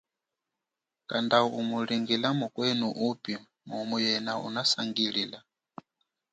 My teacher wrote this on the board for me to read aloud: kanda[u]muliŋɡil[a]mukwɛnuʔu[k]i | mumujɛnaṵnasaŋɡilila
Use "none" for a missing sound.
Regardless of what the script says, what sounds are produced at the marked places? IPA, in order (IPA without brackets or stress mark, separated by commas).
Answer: u, a, p